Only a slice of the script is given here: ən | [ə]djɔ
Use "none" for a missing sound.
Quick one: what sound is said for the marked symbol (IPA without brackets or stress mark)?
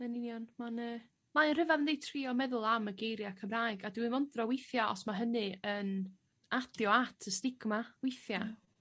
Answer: a